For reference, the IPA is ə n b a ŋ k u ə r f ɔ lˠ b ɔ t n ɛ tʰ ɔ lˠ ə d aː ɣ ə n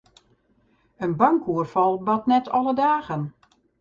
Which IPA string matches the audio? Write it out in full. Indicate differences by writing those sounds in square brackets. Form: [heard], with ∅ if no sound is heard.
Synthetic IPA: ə n b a ŋ k u ə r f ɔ lˠ b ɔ t n ɛ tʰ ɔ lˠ ə d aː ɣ ə n